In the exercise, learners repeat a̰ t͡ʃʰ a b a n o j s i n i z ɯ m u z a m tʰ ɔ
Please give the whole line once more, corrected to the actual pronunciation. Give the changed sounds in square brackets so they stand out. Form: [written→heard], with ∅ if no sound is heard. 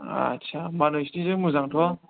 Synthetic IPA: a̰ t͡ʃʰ a [b→m] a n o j s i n i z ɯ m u z a [m→ŋ] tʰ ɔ

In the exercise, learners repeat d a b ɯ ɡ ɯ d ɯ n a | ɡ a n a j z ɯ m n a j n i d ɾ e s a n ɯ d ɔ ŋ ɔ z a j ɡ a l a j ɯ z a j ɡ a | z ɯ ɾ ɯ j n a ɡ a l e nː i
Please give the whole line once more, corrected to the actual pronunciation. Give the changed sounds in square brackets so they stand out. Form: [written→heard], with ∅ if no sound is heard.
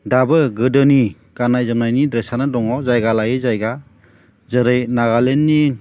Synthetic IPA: d a b ɯ ɡ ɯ d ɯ n [a→i] | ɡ a n a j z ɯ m n a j n i d ɾ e s a n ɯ d ɔ ŋ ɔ z a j ɡ a l a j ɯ z a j ɡ a | z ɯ ɾ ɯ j n a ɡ a l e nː i

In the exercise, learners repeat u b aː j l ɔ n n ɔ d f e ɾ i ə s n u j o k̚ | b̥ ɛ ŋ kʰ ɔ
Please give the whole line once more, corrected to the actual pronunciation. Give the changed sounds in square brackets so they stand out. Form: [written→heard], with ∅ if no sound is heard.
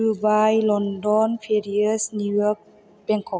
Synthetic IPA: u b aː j l ɔ n [n→d] ɔ [d→n] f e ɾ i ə s n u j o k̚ | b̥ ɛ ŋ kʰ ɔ

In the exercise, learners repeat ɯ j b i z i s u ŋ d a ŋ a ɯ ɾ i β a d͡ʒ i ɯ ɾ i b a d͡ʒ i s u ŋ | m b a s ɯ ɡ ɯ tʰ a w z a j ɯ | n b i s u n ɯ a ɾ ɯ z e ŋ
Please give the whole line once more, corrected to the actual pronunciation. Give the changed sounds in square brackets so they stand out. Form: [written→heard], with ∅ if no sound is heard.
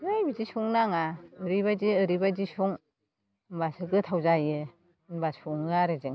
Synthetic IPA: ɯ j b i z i s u ŋ [d→n] a ŋ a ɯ ɾ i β a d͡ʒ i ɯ ɾ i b a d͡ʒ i s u ŋ | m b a s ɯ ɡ ɯ tʰ a w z a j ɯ | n b [i→a] s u [n→ŋ] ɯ a ɾ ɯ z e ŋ

